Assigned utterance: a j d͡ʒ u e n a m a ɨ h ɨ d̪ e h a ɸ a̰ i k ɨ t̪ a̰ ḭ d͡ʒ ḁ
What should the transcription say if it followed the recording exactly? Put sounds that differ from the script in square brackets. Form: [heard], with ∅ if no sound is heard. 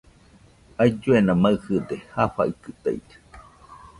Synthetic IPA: a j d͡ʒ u e n a m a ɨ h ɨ d̪ e h a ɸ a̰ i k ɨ t̪ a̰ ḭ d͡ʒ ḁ